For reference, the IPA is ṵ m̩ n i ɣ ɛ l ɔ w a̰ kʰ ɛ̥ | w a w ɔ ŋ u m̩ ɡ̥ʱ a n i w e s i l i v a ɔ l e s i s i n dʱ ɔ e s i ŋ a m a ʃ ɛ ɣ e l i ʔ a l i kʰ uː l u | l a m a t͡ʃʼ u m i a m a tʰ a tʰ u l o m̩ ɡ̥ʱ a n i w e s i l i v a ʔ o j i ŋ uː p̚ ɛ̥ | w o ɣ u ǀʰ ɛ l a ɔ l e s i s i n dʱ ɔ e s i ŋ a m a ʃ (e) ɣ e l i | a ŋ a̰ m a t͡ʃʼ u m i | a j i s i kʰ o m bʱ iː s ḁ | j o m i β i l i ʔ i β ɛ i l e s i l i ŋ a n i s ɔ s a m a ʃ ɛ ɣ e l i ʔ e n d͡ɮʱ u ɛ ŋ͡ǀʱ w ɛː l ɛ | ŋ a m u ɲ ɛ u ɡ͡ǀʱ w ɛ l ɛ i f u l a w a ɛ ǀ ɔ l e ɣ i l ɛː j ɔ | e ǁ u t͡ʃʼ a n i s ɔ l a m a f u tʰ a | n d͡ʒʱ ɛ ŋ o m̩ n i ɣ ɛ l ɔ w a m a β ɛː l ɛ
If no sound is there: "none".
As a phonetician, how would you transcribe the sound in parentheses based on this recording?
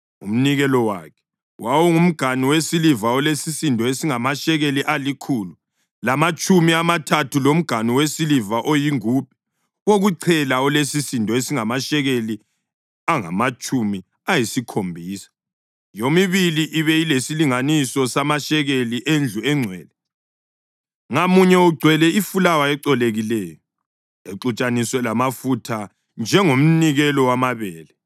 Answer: ɛ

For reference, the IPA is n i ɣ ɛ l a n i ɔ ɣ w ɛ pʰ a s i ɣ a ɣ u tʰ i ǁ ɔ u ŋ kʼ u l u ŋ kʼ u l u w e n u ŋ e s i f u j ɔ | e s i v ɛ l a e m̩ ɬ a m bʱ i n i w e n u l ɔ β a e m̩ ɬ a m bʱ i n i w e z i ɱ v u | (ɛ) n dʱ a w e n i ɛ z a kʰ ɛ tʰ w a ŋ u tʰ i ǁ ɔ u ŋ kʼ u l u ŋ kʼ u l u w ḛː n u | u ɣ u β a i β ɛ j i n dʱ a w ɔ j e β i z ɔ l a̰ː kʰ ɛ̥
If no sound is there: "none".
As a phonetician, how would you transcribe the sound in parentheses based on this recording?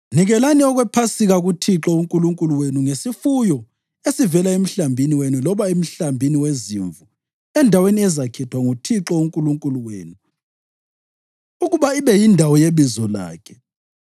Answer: ɛ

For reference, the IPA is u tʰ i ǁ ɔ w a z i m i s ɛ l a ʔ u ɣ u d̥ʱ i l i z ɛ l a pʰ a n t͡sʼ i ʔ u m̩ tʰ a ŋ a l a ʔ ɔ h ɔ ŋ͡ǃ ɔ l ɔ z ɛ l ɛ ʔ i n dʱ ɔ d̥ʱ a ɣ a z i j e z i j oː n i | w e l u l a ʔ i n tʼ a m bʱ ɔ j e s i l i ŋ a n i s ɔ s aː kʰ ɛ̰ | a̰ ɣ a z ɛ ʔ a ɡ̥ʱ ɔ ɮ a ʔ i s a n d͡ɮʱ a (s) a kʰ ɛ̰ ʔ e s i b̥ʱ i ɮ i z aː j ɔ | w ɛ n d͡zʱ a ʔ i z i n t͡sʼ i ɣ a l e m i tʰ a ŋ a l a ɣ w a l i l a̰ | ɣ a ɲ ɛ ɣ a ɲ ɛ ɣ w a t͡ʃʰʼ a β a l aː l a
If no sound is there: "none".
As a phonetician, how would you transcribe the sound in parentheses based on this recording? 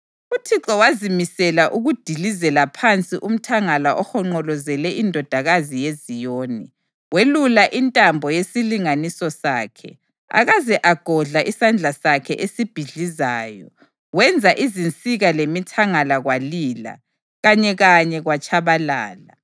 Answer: s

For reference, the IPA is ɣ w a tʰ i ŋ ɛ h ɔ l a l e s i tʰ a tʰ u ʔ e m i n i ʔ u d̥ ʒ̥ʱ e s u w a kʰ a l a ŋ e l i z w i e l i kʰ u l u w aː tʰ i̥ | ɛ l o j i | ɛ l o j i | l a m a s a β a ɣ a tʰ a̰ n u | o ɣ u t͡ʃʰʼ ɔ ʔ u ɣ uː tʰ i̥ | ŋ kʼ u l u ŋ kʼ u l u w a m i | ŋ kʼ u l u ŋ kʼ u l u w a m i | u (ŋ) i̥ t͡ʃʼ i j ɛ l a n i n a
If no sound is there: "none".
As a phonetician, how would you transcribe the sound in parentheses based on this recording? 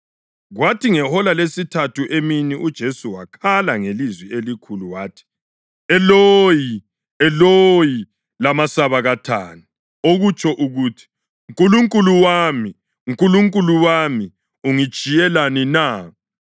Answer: ŋ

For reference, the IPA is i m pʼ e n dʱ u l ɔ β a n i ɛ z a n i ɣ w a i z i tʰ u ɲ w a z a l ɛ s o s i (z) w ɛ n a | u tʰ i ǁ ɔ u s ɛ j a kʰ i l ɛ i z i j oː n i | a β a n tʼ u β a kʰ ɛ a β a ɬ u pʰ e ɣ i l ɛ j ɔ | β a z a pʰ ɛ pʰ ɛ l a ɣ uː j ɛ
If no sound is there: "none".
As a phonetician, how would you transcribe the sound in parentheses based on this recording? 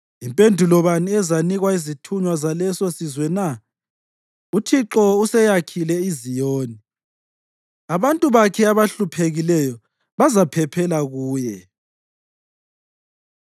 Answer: z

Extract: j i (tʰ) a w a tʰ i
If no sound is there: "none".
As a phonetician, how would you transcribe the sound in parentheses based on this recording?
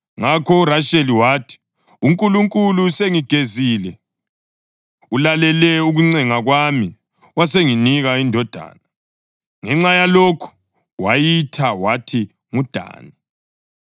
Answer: tʰ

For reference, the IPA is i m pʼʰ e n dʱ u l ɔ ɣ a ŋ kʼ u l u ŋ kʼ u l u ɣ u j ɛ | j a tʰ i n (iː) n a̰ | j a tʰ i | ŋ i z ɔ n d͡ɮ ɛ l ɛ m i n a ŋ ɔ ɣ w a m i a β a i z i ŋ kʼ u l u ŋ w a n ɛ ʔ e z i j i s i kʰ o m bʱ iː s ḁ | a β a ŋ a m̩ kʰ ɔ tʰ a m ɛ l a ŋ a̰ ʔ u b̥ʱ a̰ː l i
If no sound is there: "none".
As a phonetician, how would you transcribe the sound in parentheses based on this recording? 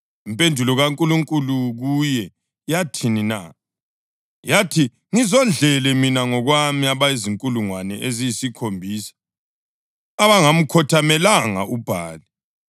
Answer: i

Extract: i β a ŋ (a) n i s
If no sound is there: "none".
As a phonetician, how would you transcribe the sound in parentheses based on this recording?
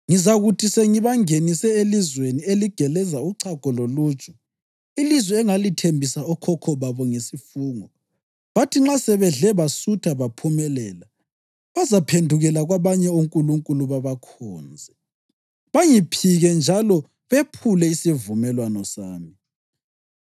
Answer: e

